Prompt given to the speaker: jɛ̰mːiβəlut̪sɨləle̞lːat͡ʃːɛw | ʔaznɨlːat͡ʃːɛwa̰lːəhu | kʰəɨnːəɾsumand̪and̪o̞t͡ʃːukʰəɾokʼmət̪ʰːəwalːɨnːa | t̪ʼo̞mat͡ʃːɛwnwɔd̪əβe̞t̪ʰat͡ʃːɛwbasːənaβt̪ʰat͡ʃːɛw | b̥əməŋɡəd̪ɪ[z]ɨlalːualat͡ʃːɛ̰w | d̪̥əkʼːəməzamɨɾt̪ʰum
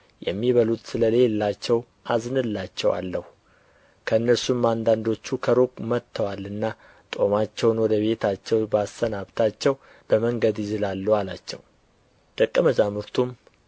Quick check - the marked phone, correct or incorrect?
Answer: correct